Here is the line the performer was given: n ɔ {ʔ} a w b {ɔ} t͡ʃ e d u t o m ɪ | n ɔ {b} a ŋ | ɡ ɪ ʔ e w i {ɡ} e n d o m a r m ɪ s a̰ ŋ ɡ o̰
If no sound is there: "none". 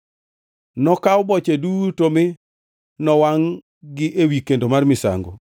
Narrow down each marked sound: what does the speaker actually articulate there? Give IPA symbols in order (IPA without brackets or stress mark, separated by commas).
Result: k, ɔ, w, k